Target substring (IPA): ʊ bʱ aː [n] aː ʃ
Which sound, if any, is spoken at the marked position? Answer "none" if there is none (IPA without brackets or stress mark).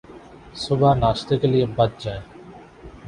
n